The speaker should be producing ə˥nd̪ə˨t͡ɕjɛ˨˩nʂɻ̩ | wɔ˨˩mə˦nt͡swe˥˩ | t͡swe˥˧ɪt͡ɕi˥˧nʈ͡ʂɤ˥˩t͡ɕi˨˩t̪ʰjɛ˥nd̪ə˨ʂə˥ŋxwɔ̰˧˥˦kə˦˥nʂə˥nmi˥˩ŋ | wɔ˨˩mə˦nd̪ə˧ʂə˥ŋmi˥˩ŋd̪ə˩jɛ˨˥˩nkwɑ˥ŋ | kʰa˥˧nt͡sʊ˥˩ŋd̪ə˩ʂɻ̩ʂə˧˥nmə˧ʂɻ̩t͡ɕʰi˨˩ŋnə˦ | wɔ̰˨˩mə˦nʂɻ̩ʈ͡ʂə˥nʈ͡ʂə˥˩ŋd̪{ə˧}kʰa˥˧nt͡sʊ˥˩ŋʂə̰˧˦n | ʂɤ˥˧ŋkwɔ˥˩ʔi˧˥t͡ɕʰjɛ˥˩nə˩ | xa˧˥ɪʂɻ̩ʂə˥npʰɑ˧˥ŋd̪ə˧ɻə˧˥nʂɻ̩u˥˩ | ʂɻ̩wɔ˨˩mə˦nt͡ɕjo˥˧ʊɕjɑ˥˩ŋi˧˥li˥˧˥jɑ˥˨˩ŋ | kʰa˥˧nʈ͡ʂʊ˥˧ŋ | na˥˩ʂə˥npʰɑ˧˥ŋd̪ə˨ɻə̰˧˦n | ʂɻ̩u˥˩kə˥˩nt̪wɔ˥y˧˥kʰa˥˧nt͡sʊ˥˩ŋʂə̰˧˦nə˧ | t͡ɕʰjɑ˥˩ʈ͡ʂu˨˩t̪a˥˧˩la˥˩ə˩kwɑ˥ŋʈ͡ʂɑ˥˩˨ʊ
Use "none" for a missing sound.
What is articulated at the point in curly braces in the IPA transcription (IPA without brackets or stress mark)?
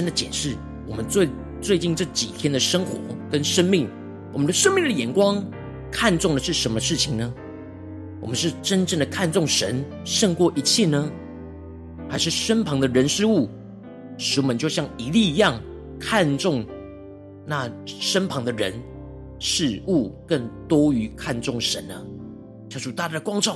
ə˩